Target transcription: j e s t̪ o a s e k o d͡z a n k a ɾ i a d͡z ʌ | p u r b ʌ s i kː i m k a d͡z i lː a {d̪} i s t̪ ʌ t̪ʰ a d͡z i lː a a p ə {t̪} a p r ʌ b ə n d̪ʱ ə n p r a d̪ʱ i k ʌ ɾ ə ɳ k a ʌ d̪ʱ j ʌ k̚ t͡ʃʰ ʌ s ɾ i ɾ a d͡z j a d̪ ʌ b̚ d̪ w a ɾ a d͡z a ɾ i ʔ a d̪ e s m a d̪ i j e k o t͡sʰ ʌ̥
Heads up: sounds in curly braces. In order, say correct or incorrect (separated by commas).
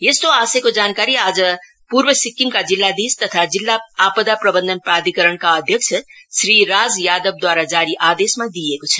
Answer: correct, incorrect